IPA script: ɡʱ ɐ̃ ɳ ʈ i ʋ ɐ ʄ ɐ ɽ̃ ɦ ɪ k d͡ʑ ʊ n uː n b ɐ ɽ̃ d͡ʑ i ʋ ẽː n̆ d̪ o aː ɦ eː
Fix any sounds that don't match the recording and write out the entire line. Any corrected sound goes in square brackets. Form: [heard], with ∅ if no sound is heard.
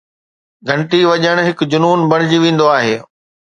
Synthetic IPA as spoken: ɡʱ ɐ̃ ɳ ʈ i ʋ ɐ ʄ [ə] ɽ̃ ɦ ɪ k d͡ʑ ʊ n uː n b ɐ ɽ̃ d͡ʑ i ʋ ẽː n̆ d̪ o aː ɦ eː